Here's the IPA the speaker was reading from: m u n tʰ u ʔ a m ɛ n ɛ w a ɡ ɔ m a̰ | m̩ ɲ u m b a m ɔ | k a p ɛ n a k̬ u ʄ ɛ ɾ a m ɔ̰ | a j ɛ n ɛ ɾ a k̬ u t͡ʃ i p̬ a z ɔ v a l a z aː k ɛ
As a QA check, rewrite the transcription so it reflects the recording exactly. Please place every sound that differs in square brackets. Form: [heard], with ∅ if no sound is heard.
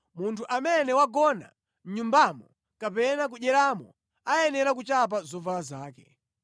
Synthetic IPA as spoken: m u n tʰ u ʔ a m ɛ n ɛ w a ɡ ɔ [n] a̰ | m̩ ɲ u m b a m ɔ | k a p ɛ n a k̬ u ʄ ɛ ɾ a m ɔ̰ | a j ɛ n ɛ ɾ a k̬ u t͡ʃ [a] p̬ a z ɔ v a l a z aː k ɛ